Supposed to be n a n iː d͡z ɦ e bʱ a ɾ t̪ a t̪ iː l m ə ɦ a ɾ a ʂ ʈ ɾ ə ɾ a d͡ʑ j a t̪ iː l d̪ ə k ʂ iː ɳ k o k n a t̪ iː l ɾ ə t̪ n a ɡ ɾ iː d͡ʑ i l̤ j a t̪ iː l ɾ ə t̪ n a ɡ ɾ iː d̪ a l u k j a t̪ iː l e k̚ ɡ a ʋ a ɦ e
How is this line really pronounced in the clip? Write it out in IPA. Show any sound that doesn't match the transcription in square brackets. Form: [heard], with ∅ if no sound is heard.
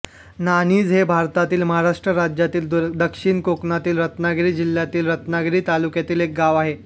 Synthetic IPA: n a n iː d͡z ɦ e bʱ a ɾ t̪ a t̪ iː l m ə ɦ a ɾ a ʂ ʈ ɾ ə ɾ a d͡ʑ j a t̪ iː l d̪ ə k ʂ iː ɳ k o k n a t̪ iː l ɾ ə t̪ n a ɡ ɾ iː d͡ʑ i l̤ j a t̪ iː l ɾ ə t̪ n a ɡ ɾ iː [t̪] a l u k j a t̪ iː l e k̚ ɡ a ʋ a ɦ e